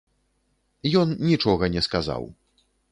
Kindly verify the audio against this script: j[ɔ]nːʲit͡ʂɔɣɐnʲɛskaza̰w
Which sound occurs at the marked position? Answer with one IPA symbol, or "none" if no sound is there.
ɔ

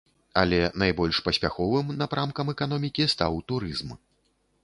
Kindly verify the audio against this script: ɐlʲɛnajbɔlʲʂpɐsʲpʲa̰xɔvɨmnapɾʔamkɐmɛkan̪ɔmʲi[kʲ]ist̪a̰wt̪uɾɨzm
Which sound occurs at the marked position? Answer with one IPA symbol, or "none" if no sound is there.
kʲ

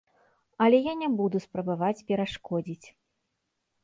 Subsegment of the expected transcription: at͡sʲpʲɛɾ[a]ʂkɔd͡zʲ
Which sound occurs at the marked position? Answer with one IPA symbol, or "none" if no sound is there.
a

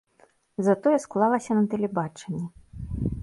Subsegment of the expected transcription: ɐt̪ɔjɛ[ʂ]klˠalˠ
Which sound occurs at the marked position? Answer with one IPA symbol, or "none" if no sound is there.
s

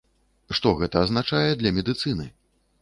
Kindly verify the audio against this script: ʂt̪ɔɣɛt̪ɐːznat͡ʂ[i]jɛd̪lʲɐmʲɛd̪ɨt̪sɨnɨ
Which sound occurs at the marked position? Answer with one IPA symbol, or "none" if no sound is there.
a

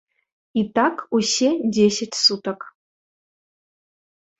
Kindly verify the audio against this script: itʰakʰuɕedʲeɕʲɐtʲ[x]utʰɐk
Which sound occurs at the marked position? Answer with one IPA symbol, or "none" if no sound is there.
s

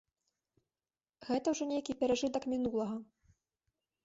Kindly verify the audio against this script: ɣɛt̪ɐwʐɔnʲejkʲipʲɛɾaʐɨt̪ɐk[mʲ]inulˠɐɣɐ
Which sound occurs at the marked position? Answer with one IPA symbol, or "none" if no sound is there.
mʲ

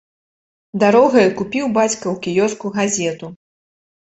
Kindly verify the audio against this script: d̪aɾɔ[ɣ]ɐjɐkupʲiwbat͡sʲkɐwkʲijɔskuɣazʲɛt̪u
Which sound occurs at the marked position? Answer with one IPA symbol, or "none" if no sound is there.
ɣ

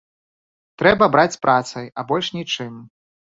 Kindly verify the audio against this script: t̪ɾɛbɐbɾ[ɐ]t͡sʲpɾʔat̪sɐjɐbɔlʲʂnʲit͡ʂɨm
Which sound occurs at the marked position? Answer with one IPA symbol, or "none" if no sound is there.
a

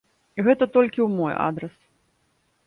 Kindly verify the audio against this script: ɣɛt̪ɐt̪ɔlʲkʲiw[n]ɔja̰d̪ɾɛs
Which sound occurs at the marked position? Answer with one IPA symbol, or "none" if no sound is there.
m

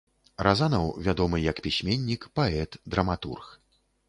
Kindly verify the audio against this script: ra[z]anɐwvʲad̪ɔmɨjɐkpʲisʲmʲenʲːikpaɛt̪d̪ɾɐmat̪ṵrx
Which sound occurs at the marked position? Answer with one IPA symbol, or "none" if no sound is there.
z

